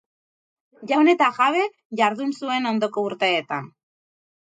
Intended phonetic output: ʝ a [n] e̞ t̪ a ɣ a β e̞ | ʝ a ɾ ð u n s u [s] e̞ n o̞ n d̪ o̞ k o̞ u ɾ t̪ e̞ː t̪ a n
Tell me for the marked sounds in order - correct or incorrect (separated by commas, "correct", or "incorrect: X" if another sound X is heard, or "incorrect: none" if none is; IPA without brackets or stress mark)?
correct, incorrect: none